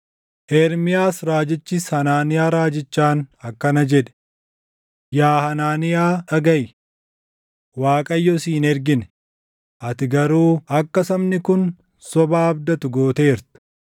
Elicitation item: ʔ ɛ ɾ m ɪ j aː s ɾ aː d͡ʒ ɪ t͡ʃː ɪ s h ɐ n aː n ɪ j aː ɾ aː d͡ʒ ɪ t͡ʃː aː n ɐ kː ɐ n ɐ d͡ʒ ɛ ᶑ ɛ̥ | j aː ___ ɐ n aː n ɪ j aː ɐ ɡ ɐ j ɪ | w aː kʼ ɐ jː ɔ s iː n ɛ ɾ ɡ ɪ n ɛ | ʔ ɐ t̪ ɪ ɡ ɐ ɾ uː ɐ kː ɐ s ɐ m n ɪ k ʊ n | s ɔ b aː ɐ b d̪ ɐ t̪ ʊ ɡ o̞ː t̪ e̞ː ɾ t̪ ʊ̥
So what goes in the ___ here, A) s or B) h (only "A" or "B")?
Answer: B